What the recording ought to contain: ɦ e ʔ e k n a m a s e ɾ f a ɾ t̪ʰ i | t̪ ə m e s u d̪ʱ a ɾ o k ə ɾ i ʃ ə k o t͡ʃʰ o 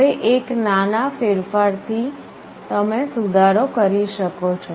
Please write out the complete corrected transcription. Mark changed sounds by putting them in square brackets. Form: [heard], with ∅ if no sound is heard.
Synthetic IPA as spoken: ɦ e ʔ e k n a [n] a [f] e ɾ f a ɾ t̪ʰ i | t̪ ə m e s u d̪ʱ a ɾ o k ə ɾ i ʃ ə k o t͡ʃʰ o